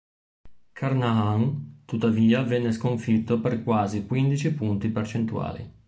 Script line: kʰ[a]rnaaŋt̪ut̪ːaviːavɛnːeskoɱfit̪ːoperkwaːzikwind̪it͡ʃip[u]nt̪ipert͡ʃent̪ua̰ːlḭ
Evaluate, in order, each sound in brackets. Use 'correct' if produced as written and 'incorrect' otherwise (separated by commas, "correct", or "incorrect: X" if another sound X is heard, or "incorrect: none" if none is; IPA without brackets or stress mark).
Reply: correct, correct